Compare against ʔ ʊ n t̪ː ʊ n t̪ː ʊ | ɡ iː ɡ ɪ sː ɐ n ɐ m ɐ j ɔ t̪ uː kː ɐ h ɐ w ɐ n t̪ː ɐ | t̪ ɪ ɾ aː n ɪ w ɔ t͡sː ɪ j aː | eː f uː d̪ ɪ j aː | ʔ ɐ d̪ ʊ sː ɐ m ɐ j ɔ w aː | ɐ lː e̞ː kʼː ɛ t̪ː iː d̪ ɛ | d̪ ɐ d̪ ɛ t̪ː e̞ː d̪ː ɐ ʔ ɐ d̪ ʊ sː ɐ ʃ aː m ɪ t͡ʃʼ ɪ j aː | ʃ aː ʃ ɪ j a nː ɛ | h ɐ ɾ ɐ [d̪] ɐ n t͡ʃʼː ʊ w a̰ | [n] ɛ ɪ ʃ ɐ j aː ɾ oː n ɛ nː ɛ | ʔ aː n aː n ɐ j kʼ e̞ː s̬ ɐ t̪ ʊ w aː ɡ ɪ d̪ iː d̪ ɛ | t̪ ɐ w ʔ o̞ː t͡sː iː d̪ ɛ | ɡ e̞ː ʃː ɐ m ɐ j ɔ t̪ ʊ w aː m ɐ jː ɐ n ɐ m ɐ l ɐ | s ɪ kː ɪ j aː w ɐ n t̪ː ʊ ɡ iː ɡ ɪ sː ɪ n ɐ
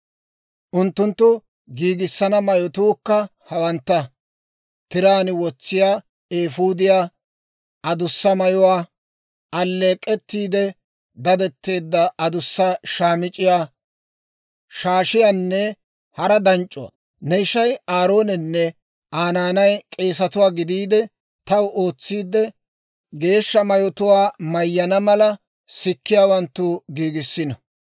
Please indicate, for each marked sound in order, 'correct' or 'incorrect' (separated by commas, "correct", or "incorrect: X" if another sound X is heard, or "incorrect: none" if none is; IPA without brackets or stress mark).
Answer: correct, correct